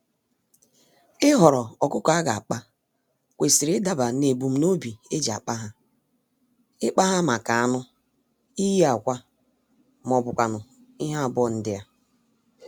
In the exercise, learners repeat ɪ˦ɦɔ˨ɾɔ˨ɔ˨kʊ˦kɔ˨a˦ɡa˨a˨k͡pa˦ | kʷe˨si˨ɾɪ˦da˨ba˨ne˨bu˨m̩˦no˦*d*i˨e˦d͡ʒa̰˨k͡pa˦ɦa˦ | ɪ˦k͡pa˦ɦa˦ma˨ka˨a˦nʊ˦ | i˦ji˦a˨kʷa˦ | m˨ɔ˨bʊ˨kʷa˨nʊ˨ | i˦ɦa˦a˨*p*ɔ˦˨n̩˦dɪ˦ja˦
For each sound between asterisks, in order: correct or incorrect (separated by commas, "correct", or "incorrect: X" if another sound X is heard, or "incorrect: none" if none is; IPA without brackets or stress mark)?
incorrect: b, incorrect: b